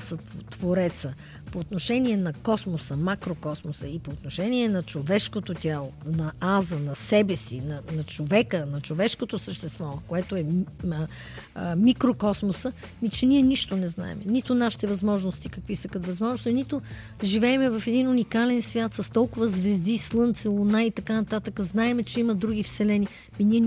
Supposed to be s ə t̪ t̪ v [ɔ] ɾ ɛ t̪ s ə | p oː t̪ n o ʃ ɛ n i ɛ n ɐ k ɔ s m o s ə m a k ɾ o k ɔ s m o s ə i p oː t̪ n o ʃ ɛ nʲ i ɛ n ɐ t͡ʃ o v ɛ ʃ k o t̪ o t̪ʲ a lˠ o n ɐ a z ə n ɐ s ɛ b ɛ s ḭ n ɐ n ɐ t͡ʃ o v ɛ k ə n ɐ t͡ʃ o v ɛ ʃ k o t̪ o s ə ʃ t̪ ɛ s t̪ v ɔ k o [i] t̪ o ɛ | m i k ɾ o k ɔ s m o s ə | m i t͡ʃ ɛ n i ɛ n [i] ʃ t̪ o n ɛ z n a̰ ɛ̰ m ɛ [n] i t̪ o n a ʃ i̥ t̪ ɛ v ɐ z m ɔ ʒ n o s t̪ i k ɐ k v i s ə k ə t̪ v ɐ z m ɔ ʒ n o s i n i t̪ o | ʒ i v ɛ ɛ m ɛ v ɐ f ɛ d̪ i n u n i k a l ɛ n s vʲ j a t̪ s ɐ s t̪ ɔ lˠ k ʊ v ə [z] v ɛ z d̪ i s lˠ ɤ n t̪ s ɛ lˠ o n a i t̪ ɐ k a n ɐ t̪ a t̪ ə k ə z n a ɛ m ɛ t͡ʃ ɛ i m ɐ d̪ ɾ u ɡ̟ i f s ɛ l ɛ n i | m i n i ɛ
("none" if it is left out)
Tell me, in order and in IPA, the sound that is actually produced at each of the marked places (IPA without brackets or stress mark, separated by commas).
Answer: o, ɛ, i, n, z